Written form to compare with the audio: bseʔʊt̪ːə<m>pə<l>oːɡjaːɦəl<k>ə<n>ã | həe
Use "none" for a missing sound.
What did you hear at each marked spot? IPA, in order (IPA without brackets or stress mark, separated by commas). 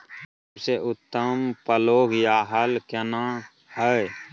m, l, k, n